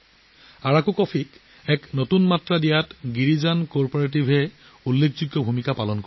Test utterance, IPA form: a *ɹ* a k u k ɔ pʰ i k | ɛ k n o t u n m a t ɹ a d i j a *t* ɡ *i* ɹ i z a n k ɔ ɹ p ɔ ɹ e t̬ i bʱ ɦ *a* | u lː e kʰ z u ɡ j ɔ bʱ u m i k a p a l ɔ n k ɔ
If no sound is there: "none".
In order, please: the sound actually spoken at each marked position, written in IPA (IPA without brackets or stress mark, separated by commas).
ɹ, t, i, ɛ